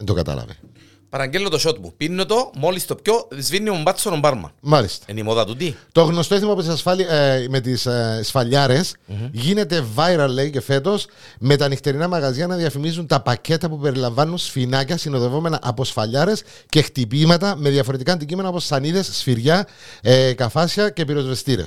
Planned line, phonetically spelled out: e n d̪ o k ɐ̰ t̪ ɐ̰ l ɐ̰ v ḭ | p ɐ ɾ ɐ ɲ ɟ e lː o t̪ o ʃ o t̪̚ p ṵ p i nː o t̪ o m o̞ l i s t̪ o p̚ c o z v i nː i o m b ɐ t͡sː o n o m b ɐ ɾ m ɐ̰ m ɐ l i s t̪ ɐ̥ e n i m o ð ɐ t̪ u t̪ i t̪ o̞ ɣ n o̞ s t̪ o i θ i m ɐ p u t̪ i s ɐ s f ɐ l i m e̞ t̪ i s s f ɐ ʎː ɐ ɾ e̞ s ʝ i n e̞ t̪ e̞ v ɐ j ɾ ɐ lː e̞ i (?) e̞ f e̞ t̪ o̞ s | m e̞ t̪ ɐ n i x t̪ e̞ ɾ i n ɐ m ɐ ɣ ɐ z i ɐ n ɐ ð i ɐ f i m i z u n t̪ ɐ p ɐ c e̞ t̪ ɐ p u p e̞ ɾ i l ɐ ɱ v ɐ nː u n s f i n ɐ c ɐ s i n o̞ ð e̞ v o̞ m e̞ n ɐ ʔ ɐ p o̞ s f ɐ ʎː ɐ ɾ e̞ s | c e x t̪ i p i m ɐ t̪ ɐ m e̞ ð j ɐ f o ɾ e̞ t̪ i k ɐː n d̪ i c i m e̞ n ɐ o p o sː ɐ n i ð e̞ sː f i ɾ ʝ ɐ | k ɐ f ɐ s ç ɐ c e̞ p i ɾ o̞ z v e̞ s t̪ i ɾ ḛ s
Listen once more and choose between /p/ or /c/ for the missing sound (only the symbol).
c